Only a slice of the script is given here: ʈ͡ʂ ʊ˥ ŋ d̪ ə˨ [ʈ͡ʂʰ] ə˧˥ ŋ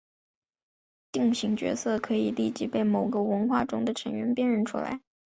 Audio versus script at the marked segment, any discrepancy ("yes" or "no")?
no